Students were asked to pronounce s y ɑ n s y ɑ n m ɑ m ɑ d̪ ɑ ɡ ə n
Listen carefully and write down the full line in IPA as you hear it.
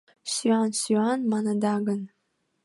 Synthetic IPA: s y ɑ n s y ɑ n m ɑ n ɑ d̪ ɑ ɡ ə n